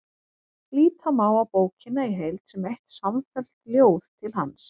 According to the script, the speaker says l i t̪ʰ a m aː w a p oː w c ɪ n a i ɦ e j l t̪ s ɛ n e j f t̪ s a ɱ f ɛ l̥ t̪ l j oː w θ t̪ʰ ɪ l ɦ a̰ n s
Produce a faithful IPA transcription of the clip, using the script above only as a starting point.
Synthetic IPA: l iː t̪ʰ a m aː w a p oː w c ɪ n a i ɦ e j l t̪ s ɛ m e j h t̪ s a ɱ f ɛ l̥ t̪ l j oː w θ t̪ʰ ɪ l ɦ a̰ n s